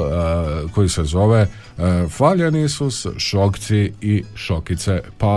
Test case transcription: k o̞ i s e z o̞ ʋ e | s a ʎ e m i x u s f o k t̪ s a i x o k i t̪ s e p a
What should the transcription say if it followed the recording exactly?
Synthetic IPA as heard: k o̞ i s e z o̞ ʋ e | f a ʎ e n i s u s ʃ o k t̪ s i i ʃ o k i t̪ s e p a